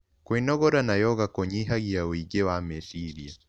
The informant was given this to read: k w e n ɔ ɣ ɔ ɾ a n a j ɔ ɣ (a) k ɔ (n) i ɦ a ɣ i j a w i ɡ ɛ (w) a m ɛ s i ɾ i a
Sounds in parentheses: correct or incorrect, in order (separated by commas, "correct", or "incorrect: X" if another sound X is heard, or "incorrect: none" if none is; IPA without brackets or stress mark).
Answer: correct, incorrect: ɲ, correct